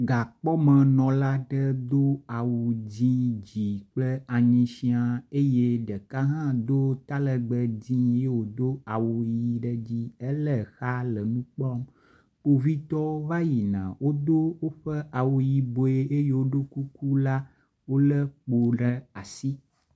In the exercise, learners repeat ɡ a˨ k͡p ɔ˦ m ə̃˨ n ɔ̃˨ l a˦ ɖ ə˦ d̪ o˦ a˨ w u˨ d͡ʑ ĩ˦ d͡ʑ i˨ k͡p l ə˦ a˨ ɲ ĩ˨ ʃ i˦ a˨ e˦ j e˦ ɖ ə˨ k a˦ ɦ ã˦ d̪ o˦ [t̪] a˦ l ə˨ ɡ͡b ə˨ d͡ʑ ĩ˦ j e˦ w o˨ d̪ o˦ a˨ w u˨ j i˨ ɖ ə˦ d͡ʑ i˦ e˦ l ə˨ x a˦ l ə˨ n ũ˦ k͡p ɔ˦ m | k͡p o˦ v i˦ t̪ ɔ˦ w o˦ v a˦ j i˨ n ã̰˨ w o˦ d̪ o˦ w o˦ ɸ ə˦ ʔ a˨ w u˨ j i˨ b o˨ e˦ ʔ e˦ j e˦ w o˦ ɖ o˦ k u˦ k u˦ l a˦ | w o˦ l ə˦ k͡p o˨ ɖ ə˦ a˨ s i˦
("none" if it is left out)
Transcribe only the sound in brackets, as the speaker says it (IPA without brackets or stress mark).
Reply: t̪